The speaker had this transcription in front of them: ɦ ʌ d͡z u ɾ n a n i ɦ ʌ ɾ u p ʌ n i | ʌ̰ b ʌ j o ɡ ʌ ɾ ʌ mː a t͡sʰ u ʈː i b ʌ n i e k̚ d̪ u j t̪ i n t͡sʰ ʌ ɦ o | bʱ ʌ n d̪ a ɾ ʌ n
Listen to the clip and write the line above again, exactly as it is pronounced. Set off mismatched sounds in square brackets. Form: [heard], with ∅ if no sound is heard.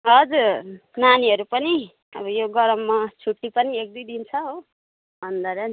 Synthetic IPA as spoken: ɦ ʌ d͡z u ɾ n a n i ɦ ʌ ɾ u p ʌ n i | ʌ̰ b ʌ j o ɡ ʌ ɾ ʌ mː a t͡sʰ u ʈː i [p] ʌ n i e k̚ d̪ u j [d̪] i n t͡sʰ ʌ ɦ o | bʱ ʌ n d̪ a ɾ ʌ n